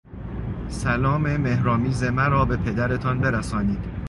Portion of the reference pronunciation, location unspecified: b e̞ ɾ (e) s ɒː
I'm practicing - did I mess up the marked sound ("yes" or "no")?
yes